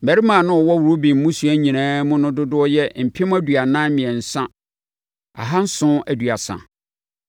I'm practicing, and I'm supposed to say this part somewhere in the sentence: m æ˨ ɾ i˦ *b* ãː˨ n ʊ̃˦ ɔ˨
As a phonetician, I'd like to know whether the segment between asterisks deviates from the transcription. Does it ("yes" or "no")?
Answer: yes